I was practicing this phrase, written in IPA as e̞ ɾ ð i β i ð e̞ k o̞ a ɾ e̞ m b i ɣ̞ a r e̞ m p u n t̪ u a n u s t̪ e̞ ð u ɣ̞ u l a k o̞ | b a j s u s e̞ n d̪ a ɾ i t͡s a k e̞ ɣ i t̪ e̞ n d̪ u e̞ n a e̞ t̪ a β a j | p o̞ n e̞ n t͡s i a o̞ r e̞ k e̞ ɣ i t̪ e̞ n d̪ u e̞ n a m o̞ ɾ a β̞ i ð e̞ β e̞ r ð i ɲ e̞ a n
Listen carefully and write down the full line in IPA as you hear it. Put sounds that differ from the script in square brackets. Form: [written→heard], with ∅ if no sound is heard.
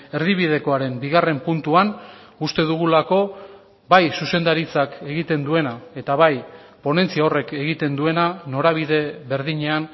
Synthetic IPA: e̞ ɾ ð i β i ð e̞ k o̞ a ɾ e̞ m b i ɣ̞ a r e̞ m p u n t̪ u a n u s t̪ e̞ ð u ɣ̞ u l a k o̞ | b a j s u s e̞ n d̪ a ɾ i t͡s a k e̞ ɣ i t̪ e̞ n d̪ u e̞ n a e̞ t̪ a β a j | p o̞ n e̞ n t͡s i a o̞ r e̞ k e̞ ɣ i t̪ e̞ n d̪ u e̞ n a [m→n] o̞ ɾ a β̞ i ð e̞ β e̞ [r→ɾ] ð i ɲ e̞ a n